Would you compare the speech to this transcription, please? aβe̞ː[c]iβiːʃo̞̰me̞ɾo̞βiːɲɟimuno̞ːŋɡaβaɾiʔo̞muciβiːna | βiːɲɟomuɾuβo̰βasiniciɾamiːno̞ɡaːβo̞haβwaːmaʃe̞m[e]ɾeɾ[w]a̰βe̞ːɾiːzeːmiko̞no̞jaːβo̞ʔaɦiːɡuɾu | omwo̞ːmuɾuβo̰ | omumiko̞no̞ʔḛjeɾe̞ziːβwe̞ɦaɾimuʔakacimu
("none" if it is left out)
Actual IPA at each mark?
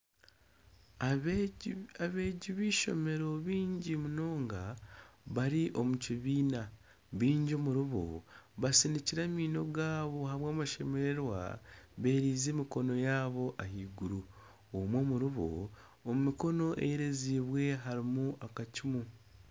ɟ, e, w

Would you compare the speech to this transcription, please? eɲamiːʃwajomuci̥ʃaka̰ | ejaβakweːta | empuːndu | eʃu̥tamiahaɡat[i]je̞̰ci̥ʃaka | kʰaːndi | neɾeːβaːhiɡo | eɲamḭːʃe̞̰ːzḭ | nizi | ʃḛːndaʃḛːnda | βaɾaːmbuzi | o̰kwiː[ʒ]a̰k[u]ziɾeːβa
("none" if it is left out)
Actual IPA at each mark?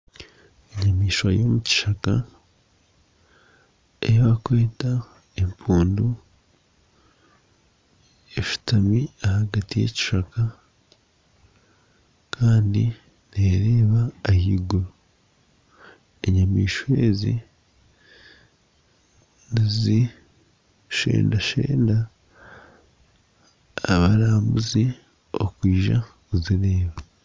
i, ʒ, u

